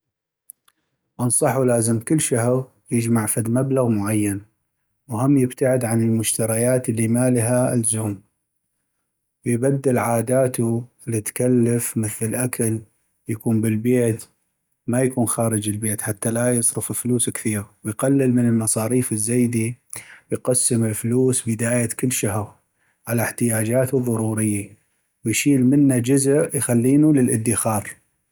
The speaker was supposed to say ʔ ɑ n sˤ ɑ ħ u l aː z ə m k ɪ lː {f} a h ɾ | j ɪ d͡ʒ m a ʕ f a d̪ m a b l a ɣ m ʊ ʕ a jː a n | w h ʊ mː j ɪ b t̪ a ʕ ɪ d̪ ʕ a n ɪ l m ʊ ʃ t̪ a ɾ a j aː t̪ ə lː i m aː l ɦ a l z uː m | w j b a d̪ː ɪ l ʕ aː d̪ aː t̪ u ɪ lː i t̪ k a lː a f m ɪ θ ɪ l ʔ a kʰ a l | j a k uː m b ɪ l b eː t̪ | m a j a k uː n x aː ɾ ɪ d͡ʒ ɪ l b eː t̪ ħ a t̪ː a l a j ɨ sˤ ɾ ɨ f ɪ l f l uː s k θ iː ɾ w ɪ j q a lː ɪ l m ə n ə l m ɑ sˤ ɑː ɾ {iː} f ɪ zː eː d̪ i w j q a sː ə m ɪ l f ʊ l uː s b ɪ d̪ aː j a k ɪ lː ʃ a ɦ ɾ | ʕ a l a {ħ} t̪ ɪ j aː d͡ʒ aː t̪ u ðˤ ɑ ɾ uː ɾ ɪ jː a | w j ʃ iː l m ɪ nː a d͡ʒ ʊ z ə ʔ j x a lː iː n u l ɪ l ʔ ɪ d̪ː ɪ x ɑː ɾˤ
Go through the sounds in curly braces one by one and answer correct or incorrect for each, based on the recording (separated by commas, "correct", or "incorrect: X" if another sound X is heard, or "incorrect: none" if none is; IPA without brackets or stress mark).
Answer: incorrect: ʃ, correct, correct